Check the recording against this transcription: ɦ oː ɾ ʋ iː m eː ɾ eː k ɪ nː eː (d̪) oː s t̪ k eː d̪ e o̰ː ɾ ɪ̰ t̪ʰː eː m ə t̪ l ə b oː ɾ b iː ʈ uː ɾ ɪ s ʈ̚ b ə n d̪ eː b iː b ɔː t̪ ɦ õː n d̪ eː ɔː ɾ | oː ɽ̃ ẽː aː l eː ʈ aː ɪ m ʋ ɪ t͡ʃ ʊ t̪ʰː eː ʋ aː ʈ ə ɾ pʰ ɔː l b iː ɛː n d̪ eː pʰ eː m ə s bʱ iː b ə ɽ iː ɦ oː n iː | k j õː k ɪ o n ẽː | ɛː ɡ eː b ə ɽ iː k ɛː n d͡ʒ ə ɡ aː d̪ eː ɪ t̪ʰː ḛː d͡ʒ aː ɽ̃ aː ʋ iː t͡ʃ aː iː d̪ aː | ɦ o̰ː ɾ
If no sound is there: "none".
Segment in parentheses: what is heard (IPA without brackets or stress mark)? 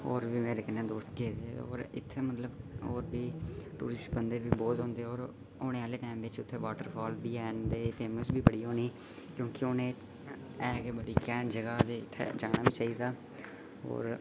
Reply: d̪